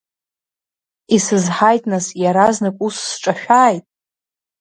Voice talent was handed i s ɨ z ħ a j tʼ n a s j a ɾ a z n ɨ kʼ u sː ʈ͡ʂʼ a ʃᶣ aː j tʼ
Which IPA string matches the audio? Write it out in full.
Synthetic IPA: i s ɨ z ħ a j tʼ n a s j a ɾ a z n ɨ kʼ u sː ʈ͡ʂʼ a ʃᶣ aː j tʼ